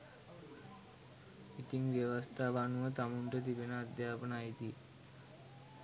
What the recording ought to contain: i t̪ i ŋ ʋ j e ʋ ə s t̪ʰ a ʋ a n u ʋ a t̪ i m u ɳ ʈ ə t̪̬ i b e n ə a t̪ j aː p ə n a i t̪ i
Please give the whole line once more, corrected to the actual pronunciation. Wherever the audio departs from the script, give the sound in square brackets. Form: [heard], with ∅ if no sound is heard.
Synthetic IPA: i t̪ i ŋ ʋ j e ʋ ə s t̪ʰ a ʋ a n u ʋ [ə] t̪ [a] m u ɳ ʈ ə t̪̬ i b e n ə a [d̪] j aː p ə n a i t̪ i